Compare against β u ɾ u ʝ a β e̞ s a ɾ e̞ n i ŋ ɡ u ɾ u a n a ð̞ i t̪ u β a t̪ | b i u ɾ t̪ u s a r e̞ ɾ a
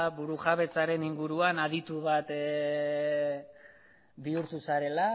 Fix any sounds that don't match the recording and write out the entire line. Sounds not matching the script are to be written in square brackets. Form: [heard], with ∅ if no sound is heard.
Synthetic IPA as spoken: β u ɾ u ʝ a β e̞ [t͡s] a ɾ e̞ n i ŋ ɡ u ɾ u a n a ð̞ i t̪ u β a t̪ | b i u ɾ t̪ u s a [ɾ] e̞ [l] a

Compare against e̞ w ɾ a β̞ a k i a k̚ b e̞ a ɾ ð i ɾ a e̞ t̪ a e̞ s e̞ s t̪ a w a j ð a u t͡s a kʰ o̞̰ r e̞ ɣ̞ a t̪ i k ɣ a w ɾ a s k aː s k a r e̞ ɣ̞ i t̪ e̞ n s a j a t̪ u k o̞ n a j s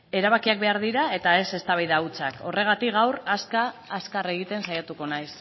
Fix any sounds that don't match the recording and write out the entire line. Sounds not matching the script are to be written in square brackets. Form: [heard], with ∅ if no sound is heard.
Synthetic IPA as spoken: e̞ [∅] ɾ a β̞ a k i a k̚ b e̞ a ɾ ð i ɾ a e̞ t̪ a e̞ s e̞ s t̪ a [β] a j ð a u t͡s a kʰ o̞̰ r e̞ ɣ̞ a t̪ i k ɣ a w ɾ a s k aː s k a r e̞ ɣ̞ i t̪ e̞ n s a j a t̪ u k o̞ n a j s

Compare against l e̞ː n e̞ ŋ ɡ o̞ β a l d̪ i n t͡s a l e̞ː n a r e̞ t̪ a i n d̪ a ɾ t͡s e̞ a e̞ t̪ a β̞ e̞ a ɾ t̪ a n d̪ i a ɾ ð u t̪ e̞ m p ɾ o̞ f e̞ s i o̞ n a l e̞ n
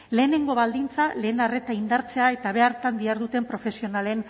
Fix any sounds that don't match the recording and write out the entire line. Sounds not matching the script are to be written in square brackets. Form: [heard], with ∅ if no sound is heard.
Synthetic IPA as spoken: l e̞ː n e̞ ŋ ɡ o̞ β a l d̪ i n t͡s a l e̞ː n a r e̞ t̪ a i n d̪ a ɾ t͡s e̞ a e̞ t̪ a β̞ e̞ a ɾ t̪ a n d̪ i a ɾ ð u t̪ e̞ m p ɾ o̞ f e̞ s i o̞ n a l e̞ n

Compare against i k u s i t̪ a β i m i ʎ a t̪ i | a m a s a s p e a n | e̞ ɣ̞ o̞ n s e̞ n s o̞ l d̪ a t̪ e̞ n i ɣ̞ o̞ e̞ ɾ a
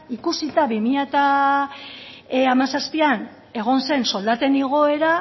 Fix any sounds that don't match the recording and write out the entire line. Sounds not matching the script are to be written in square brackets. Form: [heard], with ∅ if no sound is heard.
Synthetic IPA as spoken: i k u s i t̪ a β i m i ʎ a t̪ [a] | a m a s a s p [i] a n | e̞ ɣ̞ o̞ n s e̞ n s o̞ l d̪ a t̪ e̞ n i ɣ̞ o̞ e̞ ɾ a

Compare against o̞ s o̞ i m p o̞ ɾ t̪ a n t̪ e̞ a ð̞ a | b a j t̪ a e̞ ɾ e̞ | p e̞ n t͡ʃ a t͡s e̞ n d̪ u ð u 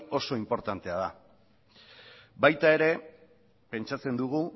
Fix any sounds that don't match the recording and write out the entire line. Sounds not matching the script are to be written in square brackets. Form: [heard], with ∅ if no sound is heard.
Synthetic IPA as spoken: o̞ s o̞ i m p o̞ ɾ t̪ a n t̪ e̞ a ð̞ a | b a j t̪ a e̞ ɾ e̞ | p e̞ n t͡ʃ a t͡s e̞ n d̪ u [ɣ] u

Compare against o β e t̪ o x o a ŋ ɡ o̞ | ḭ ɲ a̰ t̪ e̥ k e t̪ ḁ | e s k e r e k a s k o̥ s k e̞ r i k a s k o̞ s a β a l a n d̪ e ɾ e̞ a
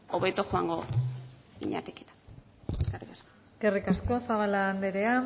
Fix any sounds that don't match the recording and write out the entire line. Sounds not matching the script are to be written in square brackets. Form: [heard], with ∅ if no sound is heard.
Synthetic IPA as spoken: o β e t̪ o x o a ŋ ɡ o̞ | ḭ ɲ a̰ t̪ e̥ k e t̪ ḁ | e s k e r [i] k a s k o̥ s k e̞ r i k a s k o̞ s a β a l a n d̪ e ɾ e̞ a

